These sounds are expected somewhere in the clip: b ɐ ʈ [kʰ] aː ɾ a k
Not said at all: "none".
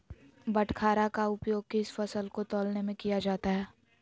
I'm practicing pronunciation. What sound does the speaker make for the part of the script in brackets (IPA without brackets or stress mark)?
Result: kʰ